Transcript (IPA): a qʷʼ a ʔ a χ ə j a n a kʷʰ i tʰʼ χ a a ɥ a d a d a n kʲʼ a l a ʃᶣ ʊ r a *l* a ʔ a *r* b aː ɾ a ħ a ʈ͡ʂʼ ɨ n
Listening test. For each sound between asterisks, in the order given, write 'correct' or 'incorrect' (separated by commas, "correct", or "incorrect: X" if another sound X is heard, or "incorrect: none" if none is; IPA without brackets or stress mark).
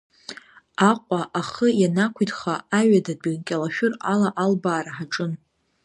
correct, incorrect: l